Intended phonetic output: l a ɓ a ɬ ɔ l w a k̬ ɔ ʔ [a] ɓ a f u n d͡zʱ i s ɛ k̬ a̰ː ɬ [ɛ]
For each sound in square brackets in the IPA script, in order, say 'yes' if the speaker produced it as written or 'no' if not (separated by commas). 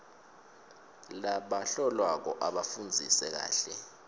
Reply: yes, yes